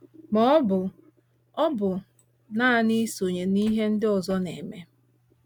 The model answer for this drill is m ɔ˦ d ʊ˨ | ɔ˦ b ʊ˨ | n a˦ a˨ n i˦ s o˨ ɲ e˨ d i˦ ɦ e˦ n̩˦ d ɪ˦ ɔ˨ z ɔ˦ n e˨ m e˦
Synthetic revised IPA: m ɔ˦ b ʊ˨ | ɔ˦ b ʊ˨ | n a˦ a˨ n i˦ s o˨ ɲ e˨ n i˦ ɦ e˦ n̩˦ d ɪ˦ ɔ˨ z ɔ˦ n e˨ m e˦